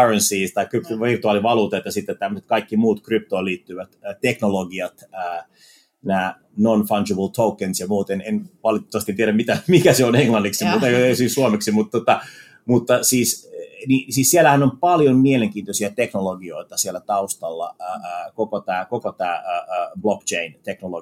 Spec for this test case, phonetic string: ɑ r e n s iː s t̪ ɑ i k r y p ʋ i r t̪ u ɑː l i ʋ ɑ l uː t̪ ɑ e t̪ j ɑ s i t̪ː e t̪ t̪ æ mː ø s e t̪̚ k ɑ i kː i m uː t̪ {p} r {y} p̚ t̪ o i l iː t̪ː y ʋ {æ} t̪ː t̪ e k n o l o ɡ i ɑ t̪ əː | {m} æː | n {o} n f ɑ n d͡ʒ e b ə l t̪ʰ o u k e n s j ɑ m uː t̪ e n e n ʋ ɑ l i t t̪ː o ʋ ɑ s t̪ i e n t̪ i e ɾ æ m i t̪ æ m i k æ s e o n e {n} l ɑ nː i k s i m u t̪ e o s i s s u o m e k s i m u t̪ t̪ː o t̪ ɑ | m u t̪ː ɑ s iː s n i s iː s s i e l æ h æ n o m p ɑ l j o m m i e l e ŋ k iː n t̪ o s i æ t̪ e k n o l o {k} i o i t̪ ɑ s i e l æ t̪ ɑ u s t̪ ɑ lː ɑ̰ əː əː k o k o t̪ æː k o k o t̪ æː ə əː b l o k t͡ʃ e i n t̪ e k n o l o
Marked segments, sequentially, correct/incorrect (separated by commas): incorrect, correct, correct, incorrect, correct, incorrect, incorrect